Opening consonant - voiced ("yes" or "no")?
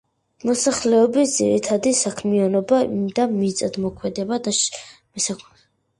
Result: yes